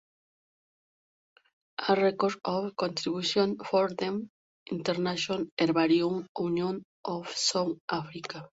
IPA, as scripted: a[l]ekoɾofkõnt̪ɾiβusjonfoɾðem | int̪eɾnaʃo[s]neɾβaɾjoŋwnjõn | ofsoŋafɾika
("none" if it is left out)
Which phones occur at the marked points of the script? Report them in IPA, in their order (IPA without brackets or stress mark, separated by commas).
r, none